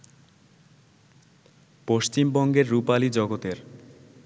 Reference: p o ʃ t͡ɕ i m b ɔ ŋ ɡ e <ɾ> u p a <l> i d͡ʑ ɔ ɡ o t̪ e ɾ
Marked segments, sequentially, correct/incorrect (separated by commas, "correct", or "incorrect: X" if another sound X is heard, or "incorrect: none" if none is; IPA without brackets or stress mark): incorrect: ɾː, correct